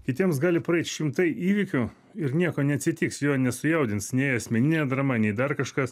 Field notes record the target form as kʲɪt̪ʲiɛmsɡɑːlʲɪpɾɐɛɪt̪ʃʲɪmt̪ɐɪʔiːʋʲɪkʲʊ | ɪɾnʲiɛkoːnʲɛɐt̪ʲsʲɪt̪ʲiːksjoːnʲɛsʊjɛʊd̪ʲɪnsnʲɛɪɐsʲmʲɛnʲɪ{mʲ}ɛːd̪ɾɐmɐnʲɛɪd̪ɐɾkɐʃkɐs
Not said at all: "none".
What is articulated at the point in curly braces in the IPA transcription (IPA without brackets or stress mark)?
nʲ